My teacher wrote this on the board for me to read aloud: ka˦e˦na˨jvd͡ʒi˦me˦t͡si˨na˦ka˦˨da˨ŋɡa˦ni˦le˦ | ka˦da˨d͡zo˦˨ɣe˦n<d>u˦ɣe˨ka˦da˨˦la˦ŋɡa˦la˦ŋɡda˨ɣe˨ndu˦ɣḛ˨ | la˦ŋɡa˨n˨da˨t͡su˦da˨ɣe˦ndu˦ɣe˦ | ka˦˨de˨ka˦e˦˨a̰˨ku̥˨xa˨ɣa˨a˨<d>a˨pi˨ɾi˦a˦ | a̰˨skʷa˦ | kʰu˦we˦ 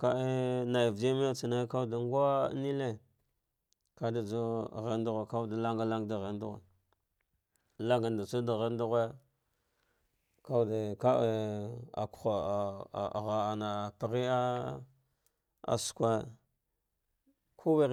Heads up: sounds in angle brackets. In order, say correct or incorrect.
correct, incorrect: n

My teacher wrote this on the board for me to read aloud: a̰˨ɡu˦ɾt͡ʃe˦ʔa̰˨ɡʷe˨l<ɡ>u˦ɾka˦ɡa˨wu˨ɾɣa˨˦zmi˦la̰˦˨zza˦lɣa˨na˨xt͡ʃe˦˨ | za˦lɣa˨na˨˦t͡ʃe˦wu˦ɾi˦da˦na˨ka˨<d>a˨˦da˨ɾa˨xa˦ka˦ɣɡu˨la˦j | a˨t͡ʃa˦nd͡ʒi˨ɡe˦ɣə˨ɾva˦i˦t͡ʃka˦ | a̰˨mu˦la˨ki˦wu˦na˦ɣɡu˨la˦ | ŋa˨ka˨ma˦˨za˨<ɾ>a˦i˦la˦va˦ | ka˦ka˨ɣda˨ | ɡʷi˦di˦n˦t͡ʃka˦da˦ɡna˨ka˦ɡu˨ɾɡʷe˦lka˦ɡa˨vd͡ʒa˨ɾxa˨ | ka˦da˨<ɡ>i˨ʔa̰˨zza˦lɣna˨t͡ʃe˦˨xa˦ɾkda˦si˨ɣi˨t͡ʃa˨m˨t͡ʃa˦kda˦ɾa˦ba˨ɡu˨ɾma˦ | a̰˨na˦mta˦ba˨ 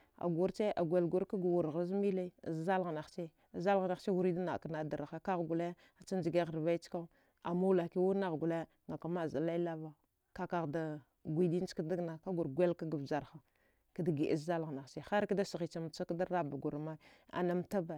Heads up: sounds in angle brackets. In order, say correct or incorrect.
correct, incorrect: n, incorrect: l, correct

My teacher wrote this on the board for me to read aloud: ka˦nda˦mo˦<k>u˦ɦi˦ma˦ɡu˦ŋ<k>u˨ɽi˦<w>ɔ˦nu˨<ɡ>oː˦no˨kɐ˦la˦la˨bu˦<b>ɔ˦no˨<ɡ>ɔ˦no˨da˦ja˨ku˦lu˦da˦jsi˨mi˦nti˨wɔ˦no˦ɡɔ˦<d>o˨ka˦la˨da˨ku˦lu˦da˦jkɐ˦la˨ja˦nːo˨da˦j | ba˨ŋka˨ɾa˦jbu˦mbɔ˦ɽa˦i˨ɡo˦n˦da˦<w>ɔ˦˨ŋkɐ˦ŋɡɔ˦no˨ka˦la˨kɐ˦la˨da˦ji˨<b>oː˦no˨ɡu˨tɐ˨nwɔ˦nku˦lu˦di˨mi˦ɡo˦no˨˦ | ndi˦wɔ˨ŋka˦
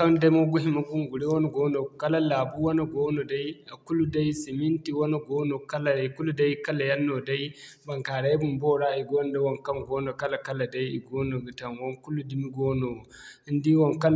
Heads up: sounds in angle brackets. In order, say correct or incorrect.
incorrect: ɡ, incorrect: ɡ, correct, correct, incorrect: w, correct, incorrect: n, correct, incorrect: ɡ

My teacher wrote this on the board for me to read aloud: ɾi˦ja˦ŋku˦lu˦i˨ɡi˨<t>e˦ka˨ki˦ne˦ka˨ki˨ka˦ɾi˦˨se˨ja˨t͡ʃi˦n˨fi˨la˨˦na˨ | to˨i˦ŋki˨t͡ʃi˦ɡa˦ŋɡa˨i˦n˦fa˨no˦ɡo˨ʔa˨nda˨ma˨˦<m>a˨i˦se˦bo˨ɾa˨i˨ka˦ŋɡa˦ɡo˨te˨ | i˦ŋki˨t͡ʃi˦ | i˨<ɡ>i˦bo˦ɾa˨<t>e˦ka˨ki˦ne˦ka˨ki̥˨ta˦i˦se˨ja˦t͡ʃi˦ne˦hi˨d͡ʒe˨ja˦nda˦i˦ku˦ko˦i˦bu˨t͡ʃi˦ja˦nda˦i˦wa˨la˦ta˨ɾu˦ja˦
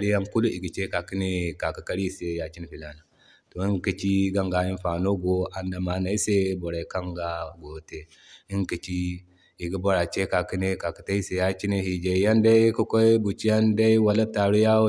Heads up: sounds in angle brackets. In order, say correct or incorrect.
incorrect: t͡ʃ, incorrect: n, correct, incorrect: t͡ʃ

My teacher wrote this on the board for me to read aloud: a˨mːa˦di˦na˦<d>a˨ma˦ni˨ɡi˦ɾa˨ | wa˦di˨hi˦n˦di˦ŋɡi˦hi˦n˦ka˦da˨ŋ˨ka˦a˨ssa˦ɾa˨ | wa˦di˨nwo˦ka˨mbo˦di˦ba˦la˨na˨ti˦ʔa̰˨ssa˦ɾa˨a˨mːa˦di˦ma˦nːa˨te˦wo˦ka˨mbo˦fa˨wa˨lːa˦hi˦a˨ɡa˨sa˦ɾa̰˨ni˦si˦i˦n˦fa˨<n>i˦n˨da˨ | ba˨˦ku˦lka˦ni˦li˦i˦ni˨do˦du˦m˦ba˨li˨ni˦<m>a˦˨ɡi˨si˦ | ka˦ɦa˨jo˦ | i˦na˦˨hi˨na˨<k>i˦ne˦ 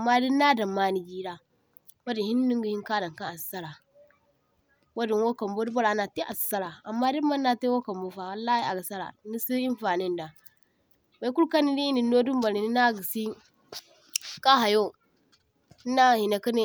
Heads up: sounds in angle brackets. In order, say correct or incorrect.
correct, correct, incorrect: n, correct

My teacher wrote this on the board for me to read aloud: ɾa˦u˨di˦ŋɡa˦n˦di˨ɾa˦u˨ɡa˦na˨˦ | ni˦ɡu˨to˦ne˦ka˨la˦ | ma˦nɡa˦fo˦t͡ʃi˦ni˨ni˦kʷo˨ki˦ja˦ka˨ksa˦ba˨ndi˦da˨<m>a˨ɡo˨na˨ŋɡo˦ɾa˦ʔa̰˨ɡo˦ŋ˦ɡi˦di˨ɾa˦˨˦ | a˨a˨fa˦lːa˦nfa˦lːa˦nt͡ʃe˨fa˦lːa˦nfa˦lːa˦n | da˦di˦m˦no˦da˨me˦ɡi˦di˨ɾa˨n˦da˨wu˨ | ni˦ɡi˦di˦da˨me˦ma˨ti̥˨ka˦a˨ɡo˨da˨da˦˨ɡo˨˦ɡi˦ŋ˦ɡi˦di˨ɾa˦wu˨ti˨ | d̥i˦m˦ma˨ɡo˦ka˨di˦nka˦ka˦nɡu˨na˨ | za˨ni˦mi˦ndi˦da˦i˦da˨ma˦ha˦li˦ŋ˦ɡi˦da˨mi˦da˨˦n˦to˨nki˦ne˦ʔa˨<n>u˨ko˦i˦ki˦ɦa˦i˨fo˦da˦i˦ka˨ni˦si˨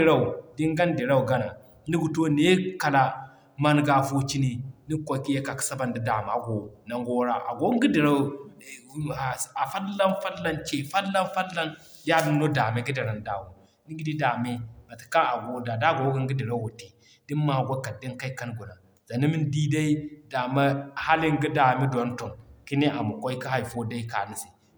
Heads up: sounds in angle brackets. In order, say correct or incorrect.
correct, incorrect: m

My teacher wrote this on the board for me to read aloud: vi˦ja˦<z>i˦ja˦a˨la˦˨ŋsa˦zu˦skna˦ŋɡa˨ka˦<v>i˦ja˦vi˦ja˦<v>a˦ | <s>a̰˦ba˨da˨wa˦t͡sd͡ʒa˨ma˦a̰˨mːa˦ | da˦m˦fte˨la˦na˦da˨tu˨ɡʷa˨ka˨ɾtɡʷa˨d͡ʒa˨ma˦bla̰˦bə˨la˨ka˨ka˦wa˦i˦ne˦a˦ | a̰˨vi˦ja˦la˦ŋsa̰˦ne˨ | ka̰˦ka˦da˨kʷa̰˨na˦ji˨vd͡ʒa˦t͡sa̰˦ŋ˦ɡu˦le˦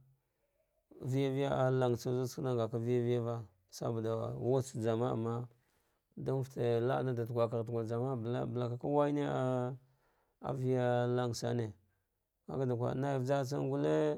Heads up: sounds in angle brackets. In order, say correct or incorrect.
incorrect: v, correct, correct, correct

